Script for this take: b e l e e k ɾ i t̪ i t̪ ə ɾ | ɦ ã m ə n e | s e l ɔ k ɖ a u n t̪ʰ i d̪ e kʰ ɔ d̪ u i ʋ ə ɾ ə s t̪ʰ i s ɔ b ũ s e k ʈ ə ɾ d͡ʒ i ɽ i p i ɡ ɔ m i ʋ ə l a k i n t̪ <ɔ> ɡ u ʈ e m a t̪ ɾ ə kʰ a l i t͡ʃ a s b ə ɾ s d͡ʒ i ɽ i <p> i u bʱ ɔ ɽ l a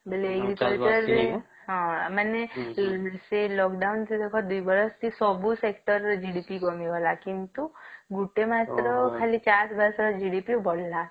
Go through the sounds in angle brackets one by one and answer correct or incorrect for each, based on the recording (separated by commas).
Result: incorrect, correct